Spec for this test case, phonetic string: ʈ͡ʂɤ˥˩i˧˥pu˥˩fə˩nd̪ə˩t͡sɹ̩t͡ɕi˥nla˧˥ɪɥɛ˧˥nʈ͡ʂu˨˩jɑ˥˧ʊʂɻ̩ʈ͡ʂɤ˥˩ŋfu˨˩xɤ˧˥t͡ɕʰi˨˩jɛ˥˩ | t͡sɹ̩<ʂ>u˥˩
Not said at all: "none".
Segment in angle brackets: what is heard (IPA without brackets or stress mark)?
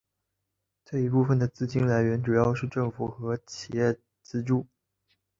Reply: ʈ͡ʂ